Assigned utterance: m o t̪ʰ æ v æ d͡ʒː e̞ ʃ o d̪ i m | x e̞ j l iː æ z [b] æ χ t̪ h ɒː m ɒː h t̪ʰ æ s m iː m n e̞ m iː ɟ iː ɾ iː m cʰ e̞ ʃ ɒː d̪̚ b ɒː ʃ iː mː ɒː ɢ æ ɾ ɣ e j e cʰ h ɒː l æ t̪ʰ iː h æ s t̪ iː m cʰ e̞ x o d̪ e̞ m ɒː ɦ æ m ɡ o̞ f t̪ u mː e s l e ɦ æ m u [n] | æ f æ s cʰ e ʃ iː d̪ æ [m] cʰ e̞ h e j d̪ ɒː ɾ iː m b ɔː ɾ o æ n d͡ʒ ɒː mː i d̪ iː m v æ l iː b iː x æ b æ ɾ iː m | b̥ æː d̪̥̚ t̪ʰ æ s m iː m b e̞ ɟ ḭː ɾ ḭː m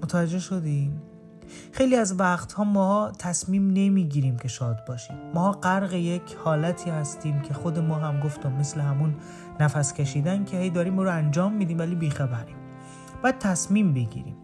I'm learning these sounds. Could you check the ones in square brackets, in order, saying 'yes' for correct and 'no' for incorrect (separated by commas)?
no, no, no